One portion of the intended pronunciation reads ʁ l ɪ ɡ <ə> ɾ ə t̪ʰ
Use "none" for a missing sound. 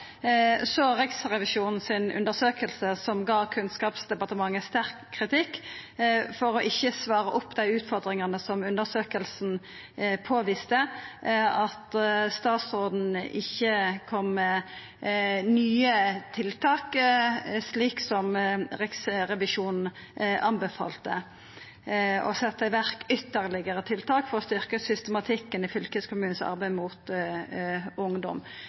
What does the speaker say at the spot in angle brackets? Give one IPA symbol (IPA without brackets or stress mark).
ə